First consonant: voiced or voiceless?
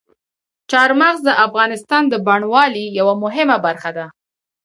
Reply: voiceless